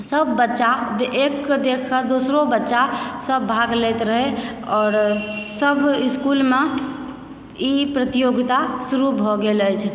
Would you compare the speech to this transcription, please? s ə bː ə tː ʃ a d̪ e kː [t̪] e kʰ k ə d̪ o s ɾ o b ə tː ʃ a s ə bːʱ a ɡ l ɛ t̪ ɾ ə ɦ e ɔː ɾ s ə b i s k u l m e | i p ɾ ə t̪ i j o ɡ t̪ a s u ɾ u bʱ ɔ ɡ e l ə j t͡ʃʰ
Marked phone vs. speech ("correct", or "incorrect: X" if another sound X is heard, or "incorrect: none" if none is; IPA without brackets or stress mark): incorrect: d̪